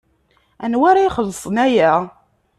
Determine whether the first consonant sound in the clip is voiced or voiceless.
voiced